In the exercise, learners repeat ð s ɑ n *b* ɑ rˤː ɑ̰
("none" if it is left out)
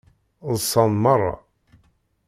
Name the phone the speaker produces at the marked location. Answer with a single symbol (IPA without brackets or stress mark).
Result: m